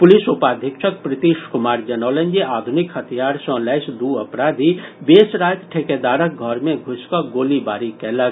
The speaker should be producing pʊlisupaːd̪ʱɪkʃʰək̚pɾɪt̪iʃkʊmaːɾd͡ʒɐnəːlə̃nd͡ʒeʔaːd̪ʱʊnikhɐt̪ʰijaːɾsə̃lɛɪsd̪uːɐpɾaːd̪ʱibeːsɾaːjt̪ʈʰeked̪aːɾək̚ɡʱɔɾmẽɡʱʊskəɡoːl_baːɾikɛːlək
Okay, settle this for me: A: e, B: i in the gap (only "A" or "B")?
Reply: B